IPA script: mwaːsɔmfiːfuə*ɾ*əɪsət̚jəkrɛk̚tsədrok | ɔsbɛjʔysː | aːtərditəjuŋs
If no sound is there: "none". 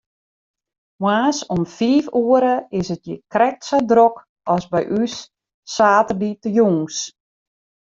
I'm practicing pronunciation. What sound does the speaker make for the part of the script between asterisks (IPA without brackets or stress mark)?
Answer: ɾ